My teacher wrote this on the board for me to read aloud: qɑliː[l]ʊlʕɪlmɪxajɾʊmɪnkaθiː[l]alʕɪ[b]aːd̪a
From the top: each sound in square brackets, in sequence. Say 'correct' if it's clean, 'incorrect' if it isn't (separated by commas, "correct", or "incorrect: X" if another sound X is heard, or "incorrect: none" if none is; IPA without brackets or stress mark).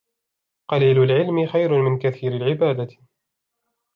correct, incorrect: ɾ, correct